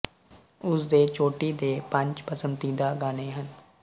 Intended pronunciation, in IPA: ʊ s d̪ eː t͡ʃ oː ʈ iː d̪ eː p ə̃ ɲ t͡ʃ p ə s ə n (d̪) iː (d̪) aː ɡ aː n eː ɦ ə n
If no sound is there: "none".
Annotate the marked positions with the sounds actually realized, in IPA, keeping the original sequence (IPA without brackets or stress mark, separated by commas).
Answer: t̪, d̪